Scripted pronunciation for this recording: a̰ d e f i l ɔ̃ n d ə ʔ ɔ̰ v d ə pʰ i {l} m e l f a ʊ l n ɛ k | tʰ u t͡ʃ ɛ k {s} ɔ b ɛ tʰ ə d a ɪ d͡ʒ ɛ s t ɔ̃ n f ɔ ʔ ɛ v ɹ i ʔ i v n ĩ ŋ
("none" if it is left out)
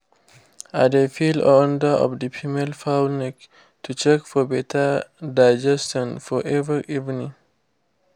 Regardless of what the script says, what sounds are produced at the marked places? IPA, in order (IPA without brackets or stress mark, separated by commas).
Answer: none, f